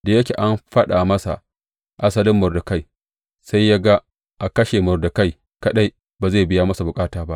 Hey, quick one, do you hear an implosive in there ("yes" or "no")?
yes